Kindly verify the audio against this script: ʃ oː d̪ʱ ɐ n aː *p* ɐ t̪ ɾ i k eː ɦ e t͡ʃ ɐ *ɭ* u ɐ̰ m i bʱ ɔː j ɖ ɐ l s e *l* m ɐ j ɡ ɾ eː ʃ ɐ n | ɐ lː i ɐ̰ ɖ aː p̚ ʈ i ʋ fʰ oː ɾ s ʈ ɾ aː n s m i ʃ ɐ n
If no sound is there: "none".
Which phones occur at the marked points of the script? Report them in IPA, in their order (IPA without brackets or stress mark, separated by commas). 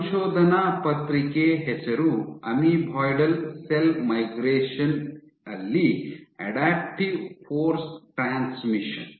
p, ɾ, l